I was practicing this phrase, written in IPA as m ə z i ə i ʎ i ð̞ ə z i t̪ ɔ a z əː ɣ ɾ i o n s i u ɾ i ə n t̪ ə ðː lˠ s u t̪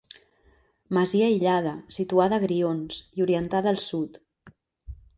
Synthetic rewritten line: m ə z i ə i ʎ a ð̞ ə s i t̪ u a ð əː ɣ ɾ i o n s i u ɾ i ə n t̪ a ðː lˠ s u t̪